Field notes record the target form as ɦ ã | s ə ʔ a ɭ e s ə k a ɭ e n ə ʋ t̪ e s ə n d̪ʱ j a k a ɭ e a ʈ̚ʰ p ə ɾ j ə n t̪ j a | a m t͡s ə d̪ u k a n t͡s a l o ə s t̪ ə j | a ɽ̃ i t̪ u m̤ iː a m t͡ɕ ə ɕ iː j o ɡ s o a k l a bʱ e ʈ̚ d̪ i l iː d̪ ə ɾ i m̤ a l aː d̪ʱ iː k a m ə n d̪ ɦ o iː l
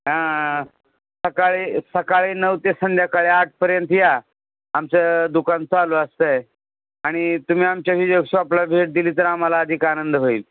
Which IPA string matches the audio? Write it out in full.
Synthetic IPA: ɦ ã | s ə k a ɭ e s ə k a ɭ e n ə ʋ t̪ e s ə n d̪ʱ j a k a ɭ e a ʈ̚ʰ p ə ɾ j ə n t̪ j a | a m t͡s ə d̪ u k a n t͡s a l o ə s t̪ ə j | a ɽ̃ i t̪ u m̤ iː a m t͡ɕ a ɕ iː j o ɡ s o a p l a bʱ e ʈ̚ d̪ i l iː t̪ ə ɾ a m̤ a l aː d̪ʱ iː k a n ə n d̪ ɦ o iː l